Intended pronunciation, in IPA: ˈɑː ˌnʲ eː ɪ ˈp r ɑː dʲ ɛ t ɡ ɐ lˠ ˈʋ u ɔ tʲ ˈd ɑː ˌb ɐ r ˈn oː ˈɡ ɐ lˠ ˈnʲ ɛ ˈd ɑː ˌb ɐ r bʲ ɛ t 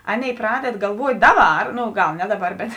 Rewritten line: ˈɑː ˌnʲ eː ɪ ˈp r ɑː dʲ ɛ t ɡ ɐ lˠ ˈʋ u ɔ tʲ ˈd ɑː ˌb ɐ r ˈn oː ˈɡ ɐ lˠ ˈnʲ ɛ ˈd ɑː ˌb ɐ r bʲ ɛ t